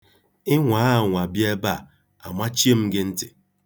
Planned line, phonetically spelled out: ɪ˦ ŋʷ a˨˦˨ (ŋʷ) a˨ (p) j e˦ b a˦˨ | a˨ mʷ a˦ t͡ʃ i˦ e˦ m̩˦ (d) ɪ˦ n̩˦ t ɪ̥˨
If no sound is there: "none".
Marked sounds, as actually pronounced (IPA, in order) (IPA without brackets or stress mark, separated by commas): ŋʷ, b, ɡ